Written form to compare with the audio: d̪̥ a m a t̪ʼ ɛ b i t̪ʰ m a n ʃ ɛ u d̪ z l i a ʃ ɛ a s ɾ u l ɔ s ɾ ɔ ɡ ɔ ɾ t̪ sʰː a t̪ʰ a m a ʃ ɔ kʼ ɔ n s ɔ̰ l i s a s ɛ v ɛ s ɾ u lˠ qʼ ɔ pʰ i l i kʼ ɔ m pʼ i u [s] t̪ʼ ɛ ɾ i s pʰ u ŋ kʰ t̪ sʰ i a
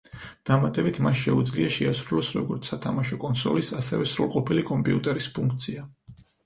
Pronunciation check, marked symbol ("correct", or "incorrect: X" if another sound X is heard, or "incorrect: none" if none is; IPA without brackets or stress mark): incorrect: none